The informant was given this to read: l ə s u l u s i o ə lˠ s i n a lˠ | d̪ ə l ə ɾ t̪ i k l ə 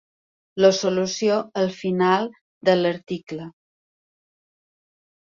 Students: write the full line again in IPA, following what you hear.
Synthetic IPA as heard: l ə s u l u s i o ə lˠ f i n a lˠ | d̪ ə l ə ɾ t̪ i k l ə